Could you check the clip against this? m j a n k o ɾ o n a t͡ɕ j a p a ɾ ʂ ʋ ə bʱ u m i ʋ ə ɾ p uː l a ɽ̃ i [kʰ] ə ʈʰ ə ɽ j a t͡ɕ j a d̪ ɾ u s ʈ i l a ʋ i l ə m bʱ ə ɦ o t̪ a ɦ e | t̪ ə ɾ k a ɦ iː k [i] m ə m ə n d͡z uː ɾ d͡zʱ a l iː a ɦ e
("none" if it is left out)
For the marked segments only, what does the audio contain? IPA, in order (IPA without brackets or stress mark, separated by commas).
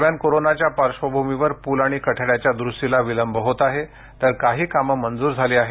k, a